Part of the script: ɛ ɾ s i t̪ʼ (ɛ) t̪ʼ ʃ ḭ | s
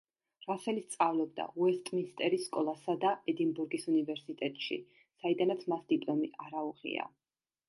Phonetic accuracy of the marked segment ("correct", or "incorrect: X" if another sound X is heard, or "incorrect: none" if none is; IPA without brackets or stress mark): correct